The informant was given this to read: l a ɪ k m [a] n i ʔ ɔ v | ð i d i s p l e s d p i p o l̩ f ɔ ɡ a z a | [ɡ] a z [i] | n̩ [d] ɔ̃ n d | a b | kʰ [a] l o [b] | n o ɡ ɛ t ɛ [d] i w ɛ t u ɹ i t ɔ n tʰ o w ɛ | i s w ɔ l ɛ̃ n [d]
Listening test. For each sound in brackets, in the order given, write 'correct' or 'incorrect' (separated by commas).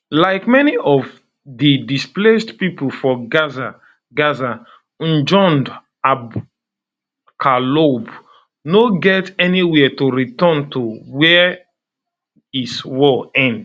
incorrect, correct, incorrect, incorrect, correct, correct, incorrect, correct